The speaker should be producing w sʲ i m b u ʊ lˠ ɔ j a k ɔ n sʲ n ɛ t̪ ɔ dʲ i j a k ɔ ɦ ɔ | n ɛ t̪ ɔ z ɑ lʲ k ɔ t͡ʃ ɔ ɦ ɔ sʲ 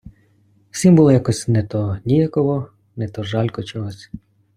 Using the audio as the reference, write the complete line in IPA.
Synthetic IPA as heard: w sʲ i m b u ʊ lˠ ɔ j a k ɔ sʲ n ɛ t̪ ɔ nʲ i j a k ɔ ɦ ɔ | n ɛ t̪ ɔ ʒ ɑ lʲ k ɔ t͡ʃ ɔ ɦ ɔ sʲ